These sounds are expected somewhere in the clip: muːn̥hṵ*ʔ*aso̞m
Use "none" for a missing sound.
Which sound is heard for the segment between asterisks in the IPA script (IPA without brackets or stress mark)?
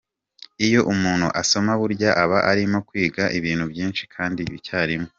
ʔ